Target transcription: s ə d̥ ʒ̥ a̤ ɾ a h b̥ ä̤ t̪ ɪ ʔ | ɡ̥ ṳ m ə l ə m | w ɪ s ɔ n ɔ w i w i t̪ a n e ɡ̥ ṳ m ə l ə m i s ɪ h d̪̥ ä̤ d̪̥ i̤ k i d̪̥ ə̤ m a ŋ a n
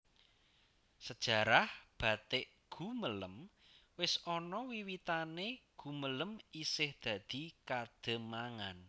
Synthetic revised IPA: s ə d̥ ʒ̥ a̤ ɾ a h b̥ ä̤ t̪ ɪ ʔ | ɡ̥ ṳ m ə l ə m | w ɪ s ɔ n ɔ w i w i t̪ a n e ɡ̥ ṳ m ə l ə m i s ɪ h d̪̥ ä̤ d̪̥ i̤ k a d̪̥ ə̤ m a ŋ a n